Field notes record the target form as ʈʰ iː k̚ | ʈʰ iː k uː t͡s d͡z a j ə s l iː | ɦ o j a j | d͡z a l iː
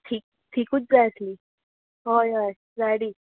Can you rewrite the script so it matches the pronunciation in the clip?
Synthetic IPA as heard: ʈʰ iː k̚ | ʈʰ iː k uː t͡s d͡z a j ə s l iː | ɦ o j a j | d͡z a ɽ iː